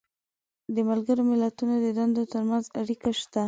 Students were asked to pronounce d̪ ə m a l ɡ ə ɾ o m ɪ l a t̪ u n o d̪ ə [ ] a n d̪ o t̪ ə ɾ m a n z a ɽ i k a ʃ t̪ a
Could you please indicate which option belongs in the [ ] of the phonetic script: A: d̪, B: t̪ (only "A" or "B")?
A